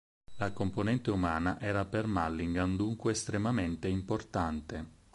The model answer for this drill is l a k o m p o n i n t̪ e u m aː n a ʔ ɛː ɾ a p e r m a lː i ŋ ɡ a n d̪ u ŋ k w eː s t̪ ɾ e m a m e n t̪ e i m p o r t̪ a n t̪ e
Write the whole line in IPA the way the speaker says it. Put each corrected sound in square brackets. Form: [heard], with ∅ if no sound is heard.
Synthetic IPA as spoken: l a k o m p o n [ɛ] n t̪ e u m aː n a ʔ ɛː ɾ a p e r m a lː i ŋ ɡ a n d̪ u ŋ k w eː s t̪ ɾ e m a m e n t̪ e i m p o r t̪ a n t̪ e